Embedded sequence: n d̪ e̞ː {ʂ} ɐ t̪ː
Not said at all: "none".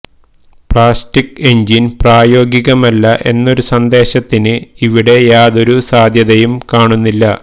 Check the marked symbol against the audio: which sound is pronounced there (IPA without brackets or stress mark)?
ɕ